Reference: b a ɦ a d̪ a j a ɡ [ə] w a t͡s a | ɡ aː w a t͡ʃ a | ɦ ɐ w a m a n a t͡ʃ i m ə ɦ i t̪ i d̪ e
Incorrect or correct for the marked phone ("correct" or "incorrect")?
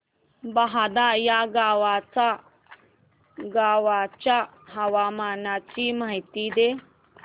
incorrect